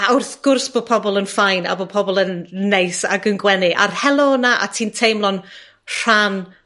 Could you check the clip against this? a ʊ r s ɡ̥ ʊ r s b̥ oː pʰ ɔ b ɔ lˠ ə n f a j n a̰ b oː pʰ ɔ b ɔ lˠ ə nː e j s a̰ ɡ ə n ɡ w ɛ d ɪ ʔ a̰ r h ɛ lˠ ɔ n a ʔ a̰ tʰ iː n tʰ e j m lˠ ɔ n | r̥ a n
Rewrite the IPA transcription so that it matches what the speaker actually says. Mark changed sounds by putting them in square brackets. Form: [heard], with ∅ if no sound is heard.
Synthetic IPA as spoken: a ʊ r [θ] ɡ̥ ʊ r s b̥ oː pʰ ɔ b ɔ lˠ ə n f a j n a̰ b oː pʰ ɔ b ɔ lˠ ə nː e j s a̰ ɡ ə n ɡ w ɛ [n] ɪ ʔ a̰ r h ɛ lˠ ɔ n a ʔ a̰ tʰ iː n tʰ e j m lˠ ɔ n | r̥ a n